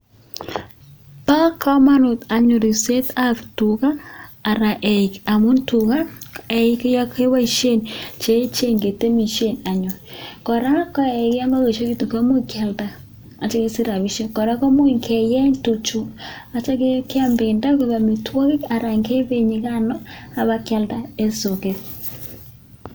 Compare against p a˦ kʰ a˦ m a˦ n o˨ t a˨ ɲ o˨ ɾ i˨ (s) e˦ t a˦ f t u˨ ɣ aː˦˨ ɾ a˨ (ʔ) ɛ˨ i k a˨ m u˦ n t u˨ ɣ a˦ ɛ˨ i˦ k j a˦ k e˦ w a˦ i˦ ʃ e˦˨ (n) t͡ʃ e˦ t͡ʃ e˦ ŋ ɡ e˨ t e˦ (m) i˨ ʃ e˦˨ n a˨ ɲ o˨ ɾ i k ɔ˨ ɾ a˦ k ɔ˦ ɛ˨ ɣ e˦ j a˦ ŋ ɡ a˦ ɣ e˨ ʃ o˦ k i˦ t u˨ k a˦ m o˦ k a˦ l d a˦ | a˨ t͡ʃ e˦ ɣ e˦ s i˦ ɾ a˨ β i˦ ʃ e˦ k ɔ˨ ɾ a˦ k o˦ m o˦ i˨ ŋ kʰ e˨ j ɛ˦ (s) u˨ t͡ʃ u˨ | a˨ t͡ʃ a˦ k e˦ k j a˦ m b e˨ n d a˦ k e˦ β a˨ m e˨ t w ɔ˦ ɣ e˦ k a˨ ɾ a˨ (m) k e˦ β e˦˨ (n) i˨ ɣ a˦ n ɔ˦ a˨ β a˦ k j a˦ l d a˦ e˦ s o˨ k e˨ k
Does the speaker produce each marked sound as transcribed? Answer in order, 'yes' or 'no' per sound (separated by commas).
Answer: yes, yes, yes, yes, no, no, no